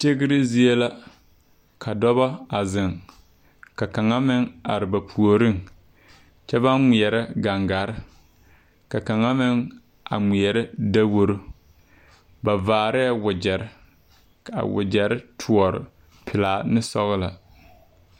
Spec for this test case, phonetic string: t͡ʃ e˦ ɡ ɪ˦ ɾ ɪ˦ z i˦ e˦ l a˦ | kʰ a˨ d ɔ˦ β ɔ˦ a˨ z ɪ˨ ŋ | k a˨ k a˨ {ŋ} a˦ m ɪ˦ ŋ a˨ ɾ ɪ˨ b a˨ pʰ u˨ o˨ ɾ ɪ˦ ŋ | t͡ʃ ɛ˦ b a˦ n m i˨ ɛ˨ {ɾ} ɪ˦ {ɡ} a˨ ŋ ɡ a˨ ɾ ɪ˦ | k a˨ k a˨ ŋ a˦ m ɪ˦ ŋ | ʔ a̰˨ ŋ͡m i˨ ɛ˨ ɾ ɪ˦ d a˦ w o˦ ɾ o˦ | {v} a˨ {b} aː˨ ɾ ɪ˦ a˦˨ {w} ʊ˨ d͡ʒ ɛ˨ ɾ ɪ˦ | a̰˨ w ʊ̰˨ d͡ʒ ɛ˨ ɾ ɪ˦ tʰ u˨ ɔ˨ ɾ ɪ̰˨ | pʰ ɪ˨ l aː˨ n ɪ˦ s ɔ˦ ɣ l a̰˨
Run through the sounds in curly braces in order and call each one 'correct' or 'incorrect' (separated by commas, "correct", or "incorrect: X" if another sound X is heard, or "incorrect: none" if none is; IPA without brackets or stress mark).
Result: correct, correct, correct, incorrect: b, incorrect: v, correct